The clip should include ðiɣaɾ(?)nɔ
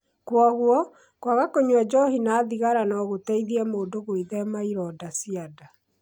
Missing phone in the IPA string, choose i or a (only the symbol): a